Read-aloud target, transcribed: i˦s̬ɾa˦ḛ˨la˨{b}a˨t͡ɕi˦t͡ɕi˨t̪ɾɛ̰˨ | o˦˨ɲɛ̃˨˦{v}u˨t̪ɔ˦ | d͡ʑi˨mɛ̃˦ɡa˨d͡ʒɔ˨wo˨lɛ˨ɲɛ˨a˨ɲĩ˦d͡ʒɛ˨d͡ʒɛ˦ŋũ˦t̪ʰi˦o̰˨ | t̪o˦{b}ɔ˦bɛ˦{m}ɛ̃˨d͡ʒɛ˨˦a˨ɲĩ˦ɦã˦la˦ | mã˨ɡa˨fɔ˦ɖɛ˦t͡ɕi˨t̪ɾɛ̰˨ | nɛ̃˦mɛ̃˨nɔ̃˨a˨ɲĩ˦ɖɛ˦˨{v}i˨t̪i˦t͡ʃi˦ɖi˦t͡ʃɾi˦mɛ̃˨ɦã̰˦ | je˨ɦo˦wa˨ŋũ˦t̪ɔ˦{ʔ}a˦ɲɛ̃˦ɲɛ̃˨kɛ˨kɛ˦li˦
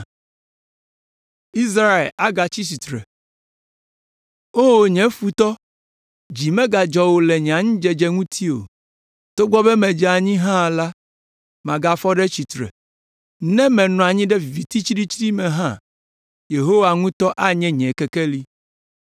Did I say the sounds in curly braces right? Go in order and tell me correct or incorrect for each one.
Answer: incorrect: ɡ, incorrect: f, incorrect: ɡ͡b, correct, correct, correct

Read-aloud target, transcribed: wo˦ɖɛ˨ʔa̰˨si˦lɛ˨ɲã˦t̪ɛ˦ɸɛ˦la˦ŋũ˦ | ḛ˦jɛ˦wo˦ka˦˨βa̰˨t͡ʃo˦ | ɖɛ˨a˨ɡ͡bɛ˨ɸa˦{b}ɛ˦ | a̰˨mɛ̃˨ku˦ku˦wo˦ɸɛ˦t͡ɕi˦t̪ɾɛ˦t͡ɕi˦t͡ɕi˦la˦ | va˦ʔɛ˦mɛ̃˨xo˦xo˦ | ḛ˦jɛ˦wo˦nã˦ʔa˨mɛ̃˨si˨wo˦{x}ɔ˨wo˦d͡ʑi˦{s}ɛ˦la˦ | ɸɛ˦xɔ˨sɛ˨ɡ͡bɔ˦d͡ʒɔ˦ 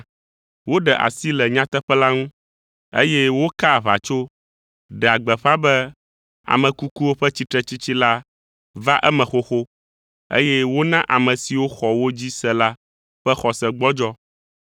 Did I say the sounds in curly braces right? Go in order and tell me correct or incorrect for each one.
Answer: correct, correct, correct

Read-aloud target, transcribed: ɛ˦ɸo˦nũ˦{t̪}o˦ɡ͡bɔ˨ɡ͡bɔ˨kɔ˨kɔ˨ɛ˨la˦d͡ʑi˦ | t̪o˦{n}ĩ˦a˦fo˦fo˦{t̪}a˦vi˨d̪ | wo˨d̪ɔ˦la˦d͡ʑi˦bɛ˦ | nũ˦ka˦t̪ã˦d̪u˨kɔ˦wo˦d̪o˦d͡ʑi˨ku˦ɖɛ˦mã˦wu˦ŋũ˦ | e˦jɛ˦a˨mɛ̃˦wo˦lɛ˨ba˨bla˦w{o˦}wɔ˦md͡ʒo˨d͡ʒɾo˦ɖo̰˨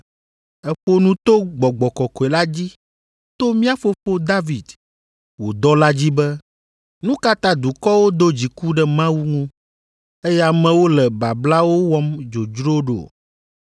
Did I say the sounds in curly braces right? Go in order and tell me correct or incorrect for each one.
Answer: correct, incorrect: m, incorrect: d̪, correct

